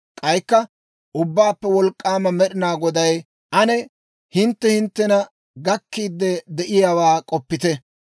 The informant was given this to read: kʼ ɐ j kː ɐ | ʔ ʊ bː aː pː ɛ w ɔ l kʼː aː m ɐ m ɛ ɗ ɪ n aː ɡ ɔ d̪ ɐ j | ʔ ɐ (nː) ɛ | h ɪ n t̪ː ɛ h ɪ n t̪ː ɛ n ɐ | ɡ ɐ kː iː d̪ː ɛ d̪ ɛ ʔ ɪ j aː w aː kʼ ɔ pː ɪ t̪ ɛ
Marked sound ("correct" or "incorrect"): incorrect